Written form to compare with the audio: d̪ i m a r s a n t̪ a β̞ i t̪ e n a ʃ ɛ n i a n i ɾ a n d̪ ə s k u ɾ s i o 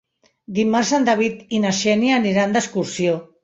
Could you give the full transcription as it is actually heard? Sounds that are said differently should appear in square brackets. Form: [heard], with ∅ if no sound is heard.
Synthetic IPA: d̪ i m a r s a n [d̪] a β̞ i t̪ [i] n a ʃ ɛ n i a n i ɾ a n d̪ ə s k u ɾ s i o